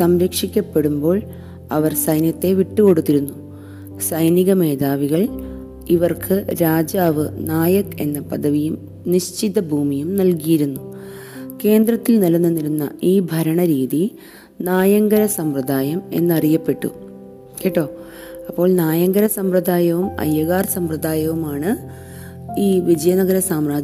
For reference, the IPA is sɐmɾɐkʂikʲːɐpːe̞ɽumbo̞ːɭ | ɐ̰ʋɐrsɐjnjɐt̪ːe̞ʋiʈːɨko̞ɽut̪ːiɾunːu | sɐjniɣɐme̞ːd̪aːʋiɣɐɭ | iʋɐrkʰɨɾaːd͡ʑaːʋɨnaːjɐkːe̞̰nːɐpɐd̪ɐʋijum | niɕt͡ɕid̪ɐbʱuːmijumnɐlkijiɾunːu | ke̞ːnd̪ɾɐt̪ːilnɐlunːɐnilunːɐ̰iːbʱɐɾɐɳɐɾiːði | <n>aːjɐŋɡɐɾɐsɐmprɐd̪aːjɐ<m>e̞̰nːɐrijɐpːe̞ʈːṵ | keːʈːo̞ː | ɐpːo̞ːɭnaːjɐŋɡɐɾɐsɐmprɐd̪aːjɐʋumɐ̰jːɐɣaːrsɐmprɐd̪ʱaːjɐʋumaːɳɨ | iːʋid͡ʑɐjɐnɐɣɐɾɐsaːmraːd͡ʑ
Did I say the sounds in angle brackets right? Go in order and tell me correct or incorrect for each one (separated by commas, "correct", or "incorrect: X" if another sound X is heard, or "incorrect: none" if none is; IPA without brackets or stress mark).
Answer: correct, correct